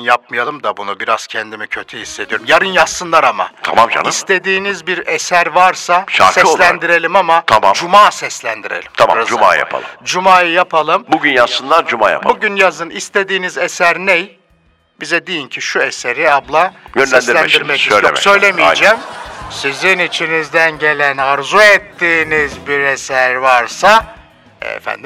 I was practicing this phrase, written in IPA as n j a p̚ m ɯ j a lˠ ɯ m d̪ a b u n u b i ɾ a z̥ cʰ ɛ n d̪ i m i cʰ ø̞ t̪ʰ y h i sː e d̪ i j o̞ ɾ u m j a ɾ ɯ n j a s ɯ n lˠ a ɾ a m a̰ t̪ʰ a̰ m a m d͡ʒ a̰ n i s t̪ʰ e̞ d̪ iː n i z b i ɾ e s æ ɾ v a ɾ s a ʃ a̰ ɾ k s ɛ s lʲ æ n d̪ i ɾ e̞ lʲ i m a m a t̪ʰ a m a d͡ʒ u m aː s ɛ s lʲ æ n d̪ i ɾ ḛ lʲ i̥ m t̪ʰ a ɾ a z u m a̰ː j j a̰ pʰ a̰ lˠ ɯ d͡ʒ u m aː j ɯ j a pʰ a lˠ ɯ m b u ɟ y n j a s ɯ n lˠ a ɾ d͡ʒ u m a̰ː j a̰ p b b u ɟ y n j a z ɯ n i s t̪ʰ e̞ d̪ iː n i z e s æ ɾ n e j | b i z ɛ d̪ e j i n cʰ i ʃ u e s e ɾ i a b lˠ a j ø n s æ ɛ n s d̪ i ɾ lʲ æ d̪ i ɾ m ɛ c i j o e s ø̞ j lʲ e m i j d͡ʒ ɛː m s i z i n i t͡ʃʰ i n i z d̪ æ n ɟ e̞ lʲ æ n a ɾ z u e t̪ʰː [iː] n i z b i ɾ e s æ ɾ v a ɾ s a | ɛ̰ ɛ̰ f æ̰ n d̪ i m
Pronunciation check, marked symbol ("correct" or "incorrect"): correct